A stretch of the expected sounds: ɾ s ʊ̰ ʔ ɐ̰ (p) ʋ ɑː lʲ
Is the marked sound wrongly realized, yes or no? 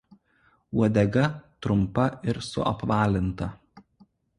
no